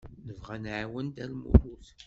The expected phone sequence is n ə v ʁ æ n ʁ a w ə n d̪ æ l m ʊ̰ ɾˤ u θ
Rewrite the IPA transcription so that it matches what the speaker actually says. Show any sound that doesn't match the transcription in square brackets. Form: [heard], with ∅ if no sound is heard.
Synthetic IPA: n ə v ʁ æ n [ʕ] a w ə n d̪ æ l m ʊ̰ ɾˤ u θ